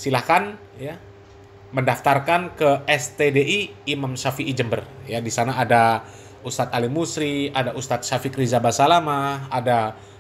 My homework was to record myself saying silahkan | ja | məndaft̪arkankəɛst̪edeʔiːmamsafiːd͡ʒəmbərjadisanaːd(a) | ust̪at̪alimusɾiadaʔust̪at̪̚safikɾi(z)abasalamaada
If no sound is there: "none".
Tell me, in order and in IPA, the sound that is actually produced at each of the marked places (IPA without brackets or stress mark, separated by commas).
a, z